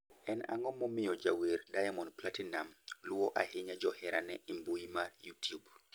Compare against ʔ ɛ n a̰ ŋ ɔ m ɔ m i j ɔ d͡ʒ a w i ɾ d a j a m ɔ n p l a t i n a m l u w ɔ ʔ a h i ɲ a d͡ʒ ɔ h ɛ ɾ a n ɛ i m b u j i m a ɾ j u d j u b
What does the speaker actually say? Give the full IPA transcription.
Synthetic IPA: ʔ ɛ n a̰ ŋ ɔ m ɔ m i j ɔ d͡ʒ a w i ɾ d a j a m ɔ n p l a t i n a m l u w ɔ ʔ a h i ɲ a d͡ʒ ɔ h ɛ ɾ a n ɛ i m b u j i m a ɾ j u t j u b